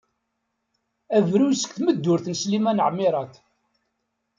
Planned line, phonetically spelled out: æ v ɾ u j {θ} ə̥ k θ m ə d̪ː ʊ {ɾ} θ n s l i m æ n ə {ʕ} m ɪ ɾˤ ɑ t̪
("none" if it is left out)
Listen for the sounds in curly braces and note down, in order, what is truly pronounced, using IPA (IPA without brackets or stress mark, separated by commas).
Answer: s, ɾ, ʕ